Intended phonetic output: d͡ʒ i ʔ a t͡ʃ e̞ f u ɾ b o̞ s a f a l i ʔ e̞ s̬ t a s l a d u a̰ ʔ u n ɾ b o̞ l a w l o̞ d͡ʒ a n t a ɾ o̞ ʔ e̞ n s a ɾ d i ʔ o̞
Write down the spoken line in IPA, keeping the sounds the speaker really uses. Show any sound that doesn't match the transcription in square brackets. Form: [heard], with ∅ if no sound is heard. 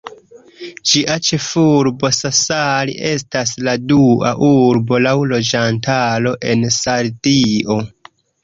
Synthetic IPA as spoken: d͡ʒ i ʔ a t͡ʃ e̞ f u ɾ b o̞ s a [s] a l i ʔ e̞ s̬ t a s l a d u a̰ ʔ u [∅] ɾ b o̞ l a w l o̞ d͡ʒ a n t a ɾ o̞ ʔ e̞ n s a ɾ d i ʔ o̞